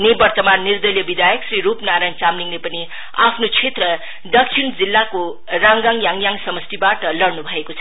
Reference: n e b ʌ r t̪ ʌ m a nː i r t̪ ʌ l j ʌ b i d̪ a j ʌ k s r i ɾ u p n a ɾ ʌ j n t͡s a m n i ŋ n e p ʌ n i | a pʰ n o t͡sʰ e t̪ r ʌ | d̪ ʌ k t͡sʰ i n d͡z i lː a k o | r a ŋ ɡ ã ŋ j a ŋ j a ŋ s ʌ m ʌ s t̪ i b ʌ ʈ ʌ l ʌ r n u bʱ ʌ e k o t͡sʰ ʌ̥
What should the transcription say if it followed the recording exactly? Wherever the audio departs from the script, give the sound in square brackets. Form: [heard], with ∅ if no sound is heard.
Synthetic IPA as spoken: n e b ʌ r t̪ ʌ m a nː i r [d̪] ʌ l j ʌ b i d̪ a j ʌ k s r i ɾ u p n a ɾ [a] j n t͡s a m n i ŋ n e p ʌ n i | a pʰ n o t͡sʰ e t̪ r ʌ | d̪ ʌ k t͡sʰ i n d͡z i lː a k o | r a ŋ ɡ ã ŋ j a ŋ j a ŋ s ʌ m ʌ s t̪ i b [a] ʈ ʌ l ʌ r n u bʱ ʌ e k o t͡sʰ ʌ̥